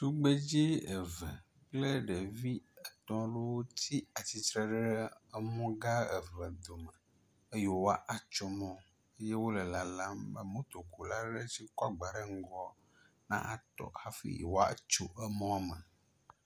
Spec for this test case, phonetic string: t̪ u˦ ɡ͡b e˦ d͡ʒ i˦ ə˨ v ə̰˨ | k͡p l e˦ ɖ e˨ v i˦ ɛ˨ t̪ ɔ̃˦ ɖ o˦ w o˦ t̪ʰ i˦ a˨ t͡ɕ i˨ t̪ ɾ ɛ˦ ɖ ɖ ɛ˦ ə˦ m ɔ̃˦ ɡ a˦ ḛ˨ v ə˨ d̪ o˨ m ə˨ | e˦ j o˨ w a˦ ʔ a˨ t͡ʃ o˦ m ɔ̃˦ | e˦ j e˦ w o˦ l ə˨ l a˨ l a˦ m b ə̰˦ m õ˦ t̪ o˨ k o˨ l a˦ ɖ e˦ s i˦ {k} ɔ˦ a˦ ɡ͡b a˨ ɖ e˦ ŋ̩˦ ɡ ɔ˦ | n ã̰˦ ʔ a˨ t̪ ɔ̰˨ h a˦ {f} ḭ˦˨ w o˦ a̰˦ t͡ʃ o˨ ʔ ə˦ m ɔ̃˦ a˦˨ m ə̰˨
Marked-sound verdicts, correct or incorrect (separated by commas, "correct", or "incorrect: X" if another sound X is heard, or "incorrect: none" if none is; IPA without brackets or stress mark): correct, correct